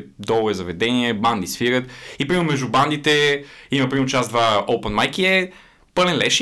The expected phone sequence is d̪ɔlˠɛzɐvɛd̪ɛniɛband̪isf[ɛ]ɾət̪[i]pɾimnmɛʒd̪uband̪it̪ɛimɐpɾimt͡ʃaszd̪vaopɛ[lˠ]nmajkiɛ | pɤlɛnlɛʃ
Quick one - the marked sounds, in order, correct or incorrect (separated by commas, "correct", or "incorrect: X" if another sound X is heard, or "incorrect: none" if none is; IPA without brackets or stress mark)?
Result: incorrect: i, correct, incorrect: none